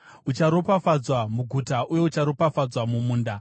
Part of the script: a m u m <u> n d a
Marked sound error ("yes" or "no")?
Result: yes